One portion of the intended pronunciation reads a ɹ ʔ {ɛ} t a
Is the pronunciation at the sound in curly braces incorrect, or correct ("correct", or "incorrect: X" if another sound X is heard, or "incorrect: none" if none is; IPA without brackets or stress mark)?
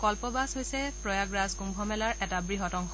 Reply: correct